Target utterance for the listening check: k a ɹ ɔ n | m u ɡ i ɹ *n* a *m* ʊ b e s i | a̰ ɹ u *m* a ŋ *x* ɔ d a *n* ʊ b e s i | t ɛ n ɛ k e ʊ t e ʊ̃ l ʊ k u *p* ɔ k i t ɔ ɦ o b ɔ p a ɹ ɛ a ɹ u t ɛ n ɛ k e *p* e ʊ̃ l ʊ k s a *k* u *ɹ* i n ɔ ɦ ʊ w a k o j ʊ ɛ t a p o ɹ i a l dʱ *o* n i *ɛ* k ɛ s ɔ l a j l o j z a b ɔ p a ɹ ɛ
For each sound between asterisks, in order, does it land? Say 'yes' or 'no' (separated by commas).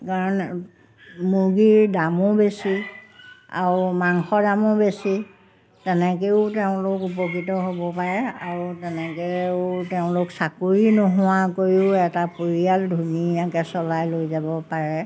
no, yes, yes, yes, no, yes, no, yes, yes, no, no